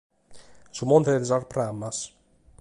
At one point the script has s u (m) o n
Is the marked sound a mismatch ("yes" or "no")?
no